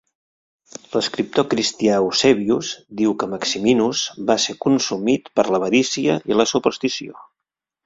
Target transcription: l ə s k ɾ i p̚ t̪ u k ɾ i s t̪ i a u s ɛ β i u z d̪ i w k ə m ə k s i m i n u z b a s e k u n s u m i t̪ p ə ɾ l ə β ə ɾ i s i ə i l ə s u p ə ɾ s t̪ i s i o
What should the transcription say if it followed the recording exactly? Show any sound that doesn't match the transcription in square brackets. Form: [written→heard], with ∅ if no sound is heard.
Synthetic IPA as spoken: l ə s k ɾ i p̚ t̪ [u→o] k ɾ i s t̪ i a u s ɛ β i u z d̪ i w k ə m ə k s i m i n u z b a s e k u n s u m i t̪ p ə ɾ l ə β ə ɾ i s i ə i l ə s u p ə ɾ s t̪ i s i o